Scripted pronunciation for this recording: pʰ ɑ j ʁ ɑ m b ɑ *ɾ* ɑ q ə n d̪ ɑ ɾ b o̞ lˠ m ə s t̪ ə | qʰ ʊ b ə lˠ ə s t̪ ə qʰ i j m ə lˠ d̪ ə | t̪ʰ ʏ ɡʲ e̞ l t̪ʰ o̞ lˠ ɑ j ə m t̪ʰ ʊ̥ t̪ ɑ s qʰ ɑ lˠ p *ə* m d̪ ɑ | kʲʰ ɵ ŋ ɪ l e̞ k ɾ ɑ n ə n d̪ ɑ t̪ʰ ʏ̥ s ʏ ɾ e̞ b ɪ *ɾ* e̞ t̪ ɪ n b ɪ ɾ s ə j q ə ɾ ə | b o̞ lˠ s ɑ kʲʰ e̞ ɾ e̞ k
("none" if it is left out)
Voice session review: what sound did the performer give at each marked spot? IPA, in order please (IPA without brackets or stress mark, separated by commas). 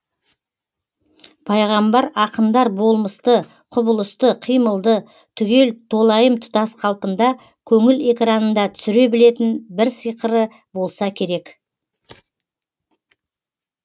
ɾ, ə, l